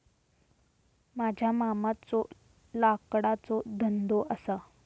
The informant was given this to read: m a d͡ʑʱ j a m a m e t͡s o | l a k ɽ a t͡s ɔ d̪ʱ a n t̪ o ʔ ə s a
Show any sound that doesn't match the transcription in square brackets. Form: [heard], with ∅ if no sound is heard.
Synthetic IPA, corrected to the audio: m a d͡ʑʱ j a m a m [a] t͡s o | l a k ɽ a t͡s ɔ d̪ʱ [ə] n [d̪] o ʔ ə s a